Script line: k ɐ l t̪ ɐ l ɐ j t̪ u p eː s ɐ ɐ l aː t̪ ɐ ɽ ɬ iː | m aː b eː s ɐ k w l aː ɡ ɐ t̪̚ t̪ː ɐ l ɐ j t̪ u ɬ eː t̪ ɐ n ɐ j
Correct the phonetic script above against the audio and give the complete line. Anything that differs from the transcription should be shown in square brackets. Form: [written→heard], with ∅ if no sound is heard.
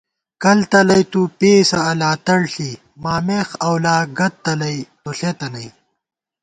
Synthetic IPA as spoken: k ɐ l t̪ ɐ l ɐ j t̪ u p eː s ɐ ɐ l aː t̪ ɐ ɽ ɬ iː | m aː [b→m] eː [s→x] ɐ [k→∅] w l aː ɡ ɐ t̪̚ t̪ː ɐ l ɐ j t̪ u ɬ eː t̪ ɐ n ɐ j

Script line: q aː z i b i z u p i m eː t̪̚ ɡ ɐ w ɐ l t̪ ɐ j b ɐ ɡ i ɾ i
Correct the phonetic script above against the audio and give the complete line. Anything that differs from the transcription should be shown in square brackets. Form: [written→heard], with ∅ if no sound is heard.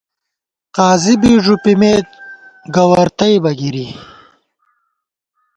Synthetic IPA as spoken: q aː z i b i [z→ʐ] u p i m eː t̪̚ ɡ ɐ w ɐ [l→ɾ] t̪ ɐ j b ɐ ɡ i ɾ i

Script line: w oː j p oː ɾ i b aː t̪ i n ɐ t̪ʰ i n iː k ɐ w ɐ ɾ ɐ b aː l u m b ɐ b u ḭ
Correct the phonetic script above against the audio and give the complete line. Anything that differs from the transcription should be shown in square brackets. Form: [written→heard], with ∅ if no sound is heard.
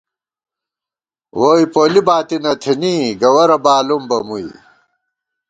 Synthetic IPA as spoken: w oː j p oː [ɾ→l] i b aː t̪ i n ɐ t̪ʰ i n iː [k→ɡ] ɐ w ɐ ɾ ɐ b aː l u m b ɐ [b→m] u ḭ

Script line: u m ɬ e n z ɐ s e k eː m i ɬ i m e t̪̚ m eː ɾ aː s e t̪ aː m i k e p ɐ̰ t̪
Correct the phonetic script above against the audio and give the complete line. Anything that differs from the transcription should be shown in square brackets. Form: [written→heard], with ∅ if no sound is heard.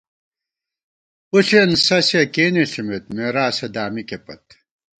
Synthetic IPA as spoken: u [m→∅] ɬ e n [z→s] ɐ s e k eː [m→n] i ɬ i m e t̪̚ m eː ɾ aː s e [t̪→d̪] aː m i k e p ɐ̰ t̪

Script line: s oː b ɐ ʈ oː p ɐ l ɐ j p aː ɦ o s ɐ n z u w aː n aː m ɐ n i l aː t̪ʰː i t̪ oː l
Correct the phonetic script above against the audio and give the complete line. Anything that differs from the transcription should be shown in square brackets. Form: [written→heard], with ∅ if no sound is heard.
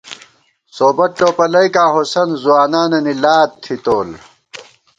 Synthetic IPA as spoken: s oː b ɐ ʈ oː p ɐ l ɐ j [p→k] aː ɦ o s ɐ n z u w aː n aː [m→n] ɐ n i l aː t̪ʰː i t̪ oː l

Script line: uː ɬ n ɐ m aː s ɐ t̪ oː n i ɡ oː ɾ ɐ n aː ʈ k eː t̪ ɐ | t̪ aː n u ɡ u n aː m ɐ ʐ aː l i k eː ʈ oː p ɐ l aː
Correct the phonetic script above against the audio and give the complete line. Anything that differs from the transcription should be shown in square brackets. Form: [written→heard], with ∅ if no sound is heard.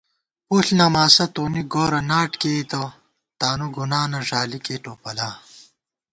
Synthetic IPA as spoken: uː ɬ n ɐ m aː s ɐ t̪ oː n i ɡ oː ɾ ɐ n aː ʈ k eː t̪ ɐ | t̪ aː n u ɡ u n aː [m→n] ɐ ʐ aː l i k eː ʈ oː p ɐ l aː

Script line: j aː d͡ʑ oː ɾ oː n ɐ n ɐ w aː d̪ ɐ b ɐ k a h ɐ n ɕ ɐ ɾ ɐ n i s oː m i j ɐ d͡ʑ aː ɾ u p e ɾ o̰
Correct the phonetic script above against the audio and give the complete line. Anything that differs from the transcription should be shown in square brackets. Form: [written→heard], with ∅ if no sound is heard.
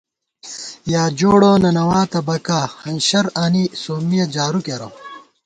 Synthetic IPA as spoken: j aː d͡ʑ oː [ɾ→ɽ] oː n ɐ n ɐ w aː [d̪→t̪] ɐ b ɐ k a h ɐ n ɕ ɐ ɾ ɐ n i s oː m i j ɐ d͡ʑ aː ɾ u [p→k] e ɾ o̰

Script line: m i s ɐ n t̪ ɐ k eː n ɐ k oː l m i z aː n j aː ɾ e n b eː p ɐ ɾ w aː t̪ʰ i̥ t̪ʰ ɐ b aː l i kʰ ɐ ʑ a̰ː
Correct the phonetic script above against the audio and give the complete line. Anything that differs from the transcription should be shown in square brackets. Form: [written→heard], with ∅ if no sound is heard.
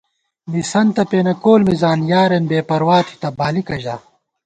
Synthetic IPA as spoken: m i s ɐ n t̪ ɐ [k→p] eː n ɐ k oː l m i z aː n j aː ɾ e n b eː p ɐ ɾ w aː t̪ʰ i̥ [t̪ʰ→t̪] ɐ b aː l i [kʰ→k] ɐ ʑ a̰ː

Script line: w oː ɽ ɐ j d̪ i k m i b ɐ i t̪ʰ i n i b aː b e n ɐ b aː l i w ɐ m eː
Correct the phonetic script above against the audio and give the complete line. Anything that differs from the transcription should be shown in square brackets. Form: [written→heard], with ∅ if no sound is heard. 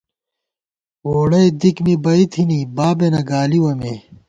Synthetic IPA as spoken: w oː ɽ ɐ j d̪ i k m i b ɐ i t̪ʰ i n i b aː b e n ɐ [b→ɡ] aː l i w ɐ m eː

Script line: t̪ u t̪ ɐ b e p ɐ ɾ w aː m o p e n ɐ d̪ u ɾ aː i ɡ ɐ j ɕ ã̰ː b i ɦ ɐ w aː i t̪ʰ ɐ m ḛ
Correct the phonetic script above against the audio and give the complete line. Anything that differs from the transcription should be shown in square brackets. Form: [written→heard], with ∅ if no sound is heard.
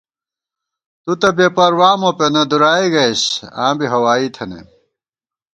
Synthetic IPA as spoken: t̪ u t̪ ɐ b e p ɐ ɾ w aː m o p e n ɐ d̪ u ɾ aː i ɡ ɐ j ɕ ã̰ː b i ɦ ɐ w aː i t̪ʰ ɐ [m→n] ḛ

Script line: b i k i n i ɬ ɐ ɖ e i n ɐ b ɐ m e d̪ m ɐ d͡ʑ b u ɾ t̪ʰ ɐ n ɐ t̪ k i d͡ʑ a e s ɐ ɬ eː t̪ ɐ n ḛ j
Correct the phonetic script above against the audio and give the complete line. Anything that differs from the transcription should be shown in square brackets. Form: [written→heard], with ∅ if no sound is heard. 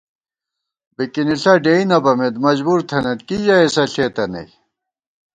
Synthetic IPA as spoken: b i k i n i ɬ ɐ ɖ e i n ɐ b ɐ m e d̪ m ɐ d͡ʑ b u ɾ t̪ʰ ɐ n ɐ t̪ k i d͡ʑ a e s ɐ ɬ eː t̪ ɐ n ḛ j

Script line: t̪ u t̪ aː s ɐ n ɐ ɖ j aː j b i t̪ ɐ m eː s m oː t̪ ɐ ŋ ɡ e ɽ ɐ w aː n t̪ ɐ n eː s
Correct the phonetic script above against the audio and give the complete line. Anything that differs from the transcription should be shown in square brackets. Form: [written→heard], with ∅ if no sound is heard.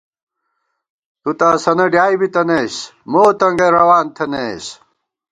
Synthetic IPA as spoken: t̪ u t̪ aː s ɐ n ɐ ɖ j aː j b i t̪ ɐ [m→n] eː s m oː t̪ ɐ ŋ ɡ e [ɽ→ɾ] ɐ w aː n [t̪→t̪ʰ] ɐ n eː s

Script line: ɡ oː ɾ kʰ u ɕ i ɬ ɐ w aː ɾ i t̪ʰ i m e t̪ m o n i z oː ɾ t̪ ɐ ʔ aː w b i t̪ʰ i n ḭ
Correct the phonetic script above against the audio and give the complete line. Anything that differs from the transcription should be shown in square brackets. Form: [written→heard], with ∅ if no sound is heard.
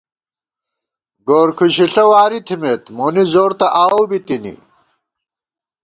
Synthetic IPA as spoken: ɡ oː ɾ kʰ u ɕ i ɬ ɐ w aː ɾ i t̪ʰ i m e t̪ m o n i z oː ɾ t̪ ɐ ʔ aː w b i [t̪ʰ→t̪] i n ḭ

